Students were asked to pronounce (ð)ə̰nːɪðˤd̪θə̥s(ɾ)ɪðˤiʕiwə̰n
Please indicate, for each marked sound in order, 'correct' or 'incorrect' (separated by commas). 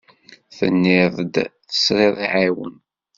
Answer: incorrect, correct